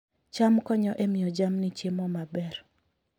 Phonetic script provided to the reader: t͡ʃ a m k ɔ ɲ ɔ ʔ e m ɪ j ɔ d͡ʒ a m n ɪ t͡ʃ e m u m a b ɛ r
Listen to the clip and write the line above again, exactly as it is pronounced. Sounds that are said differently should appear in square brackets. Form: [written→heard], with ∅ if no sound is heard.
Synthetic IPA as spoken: t͡ʃ a m k ɔ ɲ ɔ ʔ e m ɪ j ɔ d͡ʒ a m n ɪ t͡ʃ e m [u→ɔ] m a b ɛ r